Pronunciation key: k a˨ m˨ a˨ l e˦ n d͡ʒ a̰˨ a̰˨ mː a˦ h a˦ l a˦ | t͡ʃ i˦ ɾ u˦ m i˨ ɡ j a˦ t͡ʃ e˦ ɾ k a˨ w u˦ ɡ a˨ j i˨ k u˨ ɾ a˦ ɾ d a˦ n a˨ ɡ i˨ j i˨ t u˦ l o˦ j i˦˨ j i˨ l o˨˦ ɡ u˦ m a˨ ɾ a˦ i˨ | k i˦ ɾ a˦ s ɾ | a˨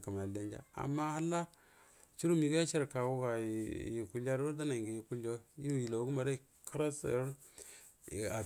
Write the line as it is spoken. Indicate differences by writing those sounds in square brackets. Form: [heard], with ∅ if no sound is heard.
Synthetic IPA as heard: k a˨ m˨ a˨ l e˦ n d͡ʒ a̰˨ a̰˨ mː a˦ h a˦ l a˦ | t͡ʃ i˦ ɾ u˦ m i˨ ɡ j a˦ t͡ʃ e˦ ɾ k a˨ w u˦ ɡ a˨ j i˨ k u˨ [l] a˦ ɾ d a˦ n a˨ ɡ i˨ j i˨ [k] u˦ l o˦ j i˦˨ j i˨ l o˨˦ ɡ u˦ m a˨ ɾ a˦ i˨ | k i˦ ɾ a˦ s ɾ | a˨